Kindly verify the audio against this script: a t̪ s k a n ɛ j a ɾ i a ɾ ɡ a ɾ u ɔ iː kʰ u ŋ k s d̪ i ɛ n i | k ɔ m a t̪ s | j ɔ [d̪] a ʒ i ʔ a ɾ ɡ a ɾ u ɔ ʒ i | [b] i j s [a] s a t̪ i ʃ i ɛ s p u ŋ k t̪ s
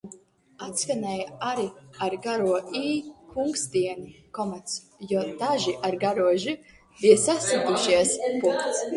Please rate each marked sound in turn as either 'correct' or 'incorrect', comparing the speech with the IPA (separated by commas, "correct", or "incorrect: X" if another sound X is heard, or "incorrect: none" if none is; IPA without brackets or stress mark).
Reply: correct, correct, correct